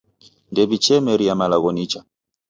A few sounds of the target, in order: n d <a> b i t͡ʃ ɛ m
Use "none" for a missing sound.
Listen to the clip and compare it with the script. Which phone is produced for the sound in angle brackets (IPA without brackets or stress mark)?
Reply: ɛ